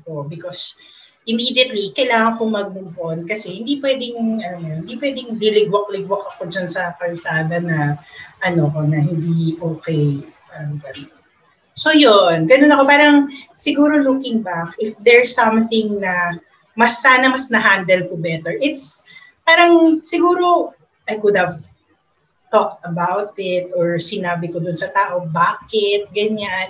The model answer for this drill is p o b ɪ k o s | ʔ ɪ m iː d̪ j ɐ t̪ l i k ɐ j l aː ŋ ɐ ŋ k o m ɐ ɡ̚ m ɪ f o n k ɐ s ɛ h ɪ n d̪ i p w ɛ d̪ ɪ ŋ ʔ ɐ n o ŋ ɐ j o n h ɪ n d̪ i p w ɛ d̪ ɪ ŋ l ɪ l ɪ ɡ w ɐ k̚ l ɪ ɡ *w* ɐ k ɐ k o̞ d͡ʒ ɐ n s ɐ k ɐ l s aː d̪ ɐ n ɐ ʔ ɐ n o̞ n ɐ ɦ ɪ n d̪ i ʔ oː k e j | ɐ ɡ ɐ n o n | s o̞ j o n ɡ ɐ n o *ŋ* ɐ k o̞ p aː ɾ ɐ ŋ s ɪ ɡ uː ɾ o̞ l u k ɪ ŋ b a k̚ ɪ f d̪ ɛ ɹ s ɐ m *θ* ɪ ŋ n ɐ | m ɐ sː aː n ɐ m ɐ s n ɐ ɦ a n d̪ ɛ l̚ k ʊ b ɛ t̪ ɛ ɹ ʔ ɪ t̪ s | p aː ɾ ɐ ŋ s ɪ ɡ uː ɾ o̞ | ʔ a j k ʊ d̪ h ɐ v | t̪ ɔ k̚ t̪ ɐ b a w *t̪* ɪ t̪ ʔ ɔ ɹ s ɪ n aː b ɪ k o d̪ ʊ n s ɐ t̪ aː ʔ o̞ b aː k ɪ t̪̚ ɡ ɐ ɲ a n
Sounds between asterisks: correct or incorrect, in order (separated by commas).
correct, incorrect, correct, correct